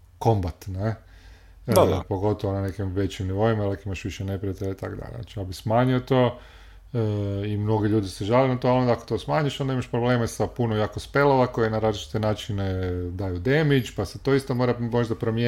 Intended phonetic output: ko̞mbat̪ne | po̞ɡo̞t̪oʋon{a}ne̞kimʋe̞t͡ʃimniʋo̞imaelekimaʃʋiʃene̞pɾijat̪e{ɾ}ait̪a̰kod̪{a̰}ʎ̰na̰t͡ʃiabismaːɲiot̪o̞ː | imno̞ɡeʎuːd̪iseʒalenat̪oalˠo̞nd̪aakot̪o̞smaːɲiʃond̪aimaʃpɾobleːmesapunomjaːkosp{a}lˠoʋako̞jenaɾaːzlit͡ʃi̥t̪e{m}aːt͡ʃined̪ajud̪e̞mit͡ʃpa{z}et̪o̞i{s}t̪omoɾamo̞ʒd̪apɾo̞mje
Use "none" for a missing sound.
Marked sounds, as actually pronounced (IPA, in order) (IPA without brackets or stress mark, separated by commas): a, ʎ, a̰, e, n, s, s